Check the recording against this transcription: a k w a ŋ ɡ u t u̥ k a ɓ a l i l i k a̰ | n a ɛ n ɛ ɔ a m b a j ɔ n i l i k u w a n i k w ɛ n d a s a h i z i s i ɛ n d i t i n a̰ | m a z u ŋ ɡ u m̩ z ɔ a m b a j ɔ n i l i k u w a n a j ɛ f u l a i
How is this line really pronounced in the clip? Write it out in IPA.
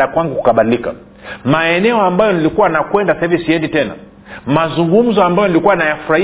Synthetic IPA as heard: a k w a ŋ ɡ u k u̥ k a ɓ a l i l i k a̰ | m a ɛ n ɛ ɔ a m b a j ɔ n i l i k u w a n a k w ɛ n d a s a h i v i s i ɛ n d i t ɛ n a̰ | m a z u ŋ ɡ u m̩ z ɔ a m b a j ɔ n i l i k u w a n a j a f u ɾ a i